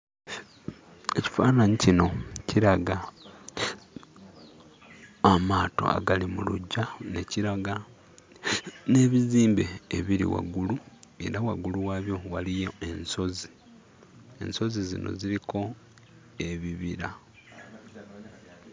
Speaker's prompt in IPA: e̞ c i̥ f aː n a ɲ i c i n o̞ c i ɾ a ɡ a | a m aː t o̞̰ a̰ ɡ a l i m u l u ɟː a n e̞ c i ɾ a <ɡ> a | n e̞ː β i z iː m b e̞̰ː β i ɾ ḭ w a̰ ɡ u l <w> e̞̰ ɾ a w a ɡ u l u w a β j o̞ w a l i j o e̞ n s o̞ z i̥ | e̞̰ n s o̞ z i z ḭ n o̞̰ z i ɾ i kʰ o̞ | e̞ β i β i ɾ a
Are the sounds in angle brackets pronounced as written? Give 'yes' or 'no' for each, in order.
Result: yes, no

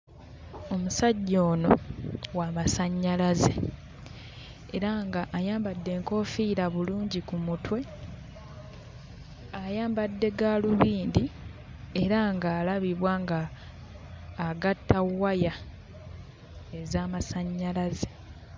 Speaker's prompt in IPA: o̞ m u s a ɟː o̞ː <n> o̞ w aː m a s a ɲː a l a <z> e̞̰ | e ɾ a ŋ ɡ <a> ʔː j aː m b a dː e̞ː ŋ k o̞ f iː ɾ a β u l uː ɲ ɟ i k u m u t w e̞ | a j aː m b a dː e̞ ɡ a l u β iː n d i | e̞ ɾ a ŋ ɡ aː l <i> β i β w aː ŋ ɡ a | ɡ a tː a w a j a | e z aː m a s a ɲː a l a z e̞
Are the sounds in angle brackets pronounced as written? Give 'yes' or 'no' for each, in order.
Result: yes, yes, yes, no

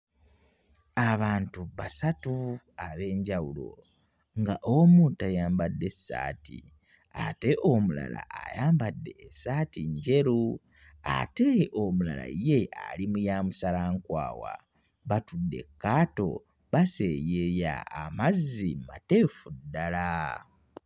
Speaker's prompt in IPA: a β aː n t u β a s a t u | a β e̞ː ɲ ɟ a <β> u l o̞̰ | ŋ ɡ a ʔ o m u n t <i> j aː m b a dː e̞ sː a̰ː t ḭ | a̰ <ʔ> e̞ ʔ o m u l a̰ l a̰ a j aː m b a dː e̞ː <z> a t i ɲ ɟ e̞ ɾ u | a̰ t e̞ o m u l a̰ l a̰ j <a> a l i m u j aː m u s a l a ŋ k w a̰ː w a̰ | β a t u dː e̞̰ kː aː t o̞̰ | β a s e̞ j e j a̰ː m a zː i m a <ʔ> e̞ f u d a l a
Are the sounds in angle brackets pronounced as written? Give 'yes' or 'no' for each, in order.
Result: no, no, no, no, no, no

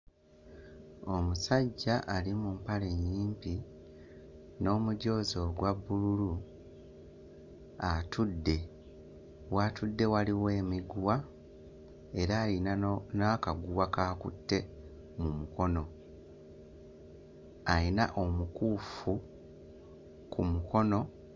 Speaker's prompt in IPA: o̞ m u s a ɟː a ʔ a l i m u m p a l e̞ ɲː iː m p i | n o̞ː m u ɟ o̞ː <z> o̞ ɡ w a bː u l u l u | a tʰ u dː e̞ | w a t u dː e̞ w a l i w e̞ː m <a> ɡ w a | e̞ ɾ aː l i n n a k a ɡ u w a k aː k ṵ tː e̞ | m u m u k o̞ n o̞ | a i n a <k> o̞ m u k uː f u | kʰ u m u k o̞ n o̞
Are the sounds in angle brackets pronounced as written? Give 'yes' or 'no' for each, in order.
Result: yes, no, no

